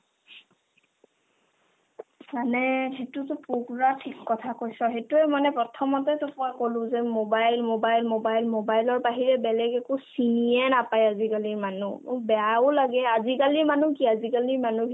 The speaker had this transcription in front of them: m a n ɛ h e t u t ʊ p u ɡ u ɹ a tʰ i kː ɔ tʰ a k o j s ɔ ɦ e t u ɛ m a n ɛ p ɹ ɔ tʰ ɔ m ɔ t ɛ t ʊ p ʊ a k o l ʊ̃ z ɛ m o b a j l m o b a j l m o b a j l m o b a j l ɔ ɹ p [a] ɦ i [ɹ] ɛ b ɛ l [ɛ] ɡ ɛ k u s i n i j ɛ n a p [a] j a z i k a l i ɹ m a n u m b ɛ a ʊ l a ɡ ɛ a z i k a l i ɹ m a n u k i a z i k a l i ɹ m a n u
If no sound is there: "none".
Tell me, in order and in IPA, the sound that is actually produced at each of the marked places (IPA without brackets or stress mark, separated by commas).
a, ɹ, ɛ, a